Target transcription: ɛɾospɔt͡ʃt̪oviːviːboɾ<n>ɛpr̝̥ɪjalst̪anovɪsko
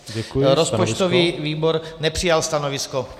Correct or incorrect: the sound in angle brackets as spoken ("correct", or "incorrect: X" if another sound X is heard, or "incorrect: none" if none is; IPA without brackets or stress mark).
correct